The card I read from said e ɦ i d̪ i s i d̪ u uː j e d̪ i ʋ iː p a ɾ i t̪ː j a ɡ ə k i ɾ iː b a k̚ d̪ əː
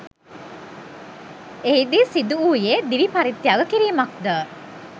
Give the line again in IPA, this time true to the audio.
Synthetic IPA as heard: e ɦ i d̪ i s i d̪ u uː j e d̪ i ʋ i p a ɾ i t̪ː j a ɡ ə k i ɾ iː m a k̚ d̪ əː